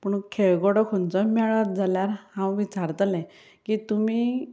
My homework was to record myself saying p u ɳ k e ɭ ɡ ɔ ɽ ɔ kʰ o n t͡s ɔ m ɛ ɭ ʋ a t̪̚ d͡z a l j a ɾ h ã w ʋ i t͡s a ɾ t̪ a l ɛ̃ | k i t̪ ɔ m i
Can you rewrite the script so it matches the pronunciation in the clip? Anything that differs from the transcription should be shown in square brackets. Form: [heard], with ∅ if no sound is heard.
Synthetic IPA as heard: p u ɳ [kʰ] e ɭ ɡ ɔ ɽ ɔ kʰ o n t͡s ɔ m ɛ ɭ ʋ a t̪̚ d͡z a l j a ɾ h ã w ʋ i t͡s a ɾ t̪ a l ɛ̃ | k i t̪ [u] m i